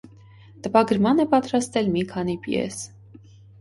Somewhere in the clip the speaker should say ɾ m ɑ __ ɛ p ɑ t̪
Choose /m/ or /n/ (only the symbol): n